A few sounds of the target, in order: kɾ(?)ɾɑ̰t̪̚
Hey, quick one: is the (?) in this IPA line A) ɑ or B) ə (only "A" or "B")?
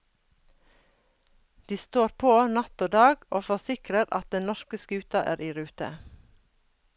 B